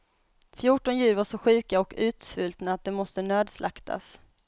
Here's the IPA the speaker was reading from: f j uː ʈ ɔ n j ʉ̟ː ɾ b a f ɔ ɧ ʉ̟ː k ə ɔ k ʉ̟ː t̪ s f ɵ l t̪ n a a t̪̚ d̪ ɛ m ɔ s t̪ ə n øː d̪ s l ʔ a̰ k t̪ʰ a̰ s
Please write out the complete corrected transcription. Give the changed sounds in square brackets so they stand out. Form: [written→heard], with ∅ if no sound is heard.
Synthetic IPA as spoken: f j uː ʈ ɔ n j ʉ̟ː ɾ [b→v] a [f→ʂ] ɔ ɧ ʉ̟ː k [ə→a] ɔ k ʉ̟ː t̪ s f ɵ l t̪ n a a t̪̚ d̪ ɛ m ɔ s t̪ ə n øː d̪ s l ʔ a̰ k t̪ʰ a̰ s